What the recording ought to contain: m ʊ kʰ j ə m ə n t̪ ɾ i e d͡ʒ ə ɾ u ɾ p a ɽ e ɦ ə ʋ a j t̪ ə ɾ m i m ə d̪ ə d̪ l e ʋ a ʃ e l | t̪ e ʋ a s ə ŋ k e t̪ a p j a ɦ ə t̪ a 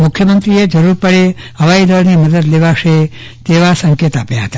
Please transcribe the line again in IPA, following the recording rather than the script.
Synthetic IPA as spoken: m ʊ kʰ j ə m ə n t̪ ɾ i e d͡ʒ ə ɾ u ɾ p ə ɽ e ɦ ə ʋ a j d̪ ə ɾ n i m ə d̪ ə d̪ l e ʋ a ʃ e | t̪ e ʋ a s ə ŋ k e t̪ a p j a ɦ ə t̪ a